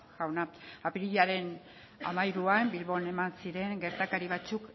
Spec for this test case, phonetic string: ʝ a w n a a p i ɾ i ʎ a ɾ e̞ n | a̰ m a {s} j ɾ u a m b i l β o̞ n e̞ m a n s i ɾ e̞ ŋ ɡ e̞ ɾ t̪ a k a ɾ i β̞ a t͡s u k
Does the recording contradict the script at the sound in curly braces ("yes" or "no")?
yes